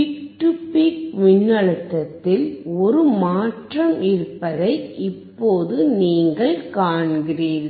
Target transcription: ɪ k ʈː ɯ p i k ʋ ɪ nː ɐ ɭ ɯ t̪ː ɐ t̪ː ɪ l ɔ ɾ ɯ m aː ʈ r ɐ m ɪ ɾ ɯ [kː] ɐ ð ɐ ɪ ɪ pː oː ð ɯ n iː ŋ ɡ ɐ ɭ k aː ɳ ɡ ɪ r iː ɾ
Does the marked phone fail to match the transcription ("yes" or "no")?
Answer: yes